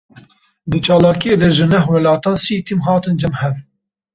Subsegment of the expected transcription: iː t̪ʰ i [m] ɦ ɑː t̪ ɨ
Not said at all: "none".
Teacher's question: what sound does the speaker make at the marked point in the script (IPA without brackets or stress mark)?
m